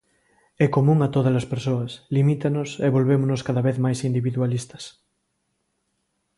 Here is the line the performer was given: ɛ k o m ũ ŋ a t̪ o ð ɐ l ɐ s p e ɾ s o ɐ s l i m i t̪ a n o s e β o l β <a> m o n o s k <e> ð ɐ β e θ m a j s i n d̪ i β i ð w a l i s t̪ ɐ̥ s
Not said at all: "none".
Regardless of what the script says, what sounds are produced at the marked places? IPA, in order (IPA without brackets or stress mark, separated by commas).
e, a